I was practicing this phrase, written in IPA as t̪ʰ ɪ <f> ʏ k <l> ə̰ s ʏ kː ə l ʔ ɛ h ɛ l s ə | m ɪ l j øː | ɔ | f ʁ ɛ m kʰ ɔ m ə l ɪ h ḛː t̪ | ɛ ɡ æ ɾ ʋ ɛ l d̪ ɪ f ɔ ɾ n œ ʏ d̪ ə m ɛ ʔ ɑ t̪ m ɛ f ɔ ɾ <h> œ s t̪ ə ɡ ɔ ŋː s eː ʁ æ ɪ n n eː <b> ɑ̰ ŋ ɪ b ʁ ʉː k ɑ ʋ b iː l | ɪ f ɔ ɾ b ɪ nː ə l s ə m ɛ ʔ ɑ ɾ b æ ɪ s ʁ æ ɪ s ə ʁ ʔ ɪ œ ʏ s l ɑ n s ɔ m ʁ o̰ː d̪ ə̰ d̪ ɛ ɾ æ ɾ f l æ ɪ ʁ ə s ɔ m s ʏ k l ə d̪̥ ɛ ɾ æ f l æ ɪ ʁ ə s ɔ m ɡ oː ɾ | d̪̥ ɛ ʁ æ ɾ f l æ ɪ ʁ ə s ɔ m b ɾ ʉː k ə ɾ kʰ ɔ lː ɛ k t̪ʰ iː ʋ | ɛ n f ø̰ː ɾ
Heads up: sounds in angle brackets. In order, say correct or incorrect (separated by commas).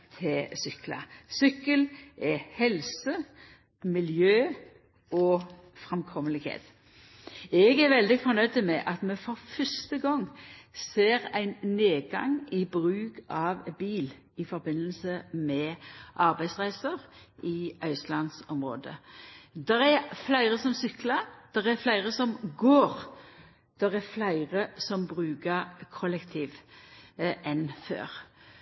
incorrect, correct, incorrect, incorrect